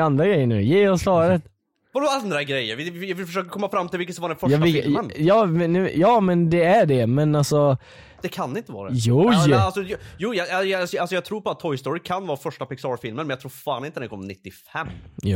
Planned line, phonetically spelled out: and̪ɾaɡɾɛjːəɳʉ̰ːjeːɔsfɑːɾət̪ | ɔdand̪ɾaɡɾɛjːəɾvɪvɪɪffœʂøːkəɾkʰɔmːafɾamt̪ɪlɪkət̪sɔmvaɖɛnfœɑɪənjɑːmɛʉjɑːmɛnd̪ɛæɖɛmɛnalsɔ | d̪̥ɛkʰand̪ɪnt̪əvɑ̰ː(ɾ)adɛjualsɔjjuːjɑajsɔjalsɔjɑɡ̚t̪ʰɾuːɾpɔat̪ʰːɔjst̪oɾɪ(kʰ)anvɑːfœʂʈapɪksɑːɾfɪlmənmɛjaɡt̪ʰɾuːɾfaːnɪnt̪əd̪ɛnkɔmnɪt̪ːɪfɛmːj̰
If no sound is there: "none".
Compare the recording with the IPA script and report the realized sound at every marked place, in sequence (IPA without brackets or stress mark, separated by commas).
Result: ɾ, kʰ